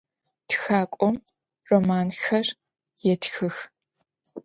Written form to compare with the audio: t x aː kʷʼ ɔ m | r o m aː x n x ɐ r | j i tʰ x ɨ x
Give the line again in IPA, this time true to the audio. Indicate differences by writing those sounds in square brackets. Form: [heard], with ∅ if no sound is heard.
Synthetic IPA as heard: t x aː kʷʼ ɔ m | r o m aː [∅] n x ɐ r | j [ɛ] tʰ x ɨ x